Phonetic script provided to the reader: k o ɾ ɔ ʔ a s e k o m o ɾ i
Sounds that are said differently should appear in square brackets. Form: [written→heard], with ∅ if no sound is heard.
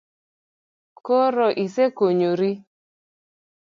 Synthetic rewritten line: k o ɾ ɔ ʔ [a→i] s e k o [m→ɲ] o ɾ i